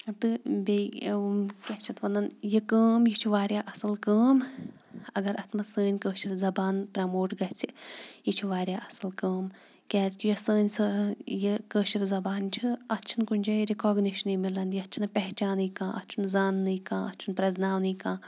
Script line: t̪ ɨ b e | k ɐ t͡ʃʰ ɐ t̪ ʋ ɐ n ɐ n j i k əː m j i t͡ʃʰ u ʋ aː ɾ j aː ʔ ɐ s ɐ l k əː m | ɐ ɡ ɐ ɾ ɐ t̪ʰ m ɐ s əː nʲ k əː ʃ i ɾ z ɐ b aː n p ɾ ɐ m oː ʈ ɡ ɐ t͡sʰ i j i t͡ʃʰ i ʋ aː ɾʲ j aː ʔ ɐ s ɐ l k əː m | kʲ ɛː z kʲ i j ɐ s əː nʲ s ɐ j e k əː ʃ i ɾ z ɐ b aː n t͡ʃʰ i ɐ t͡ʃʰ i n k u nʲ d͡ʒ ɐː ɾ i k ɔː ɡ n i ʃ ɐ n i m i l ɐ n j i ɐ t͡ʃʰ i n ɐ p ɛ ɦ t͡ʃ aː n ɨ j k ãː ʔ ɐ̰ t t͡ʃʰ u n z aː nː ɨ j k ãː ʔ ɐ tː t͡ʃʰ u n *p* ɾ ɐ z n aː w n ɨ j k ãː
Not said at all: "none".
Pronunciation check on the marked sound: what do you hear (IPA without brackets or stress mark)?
p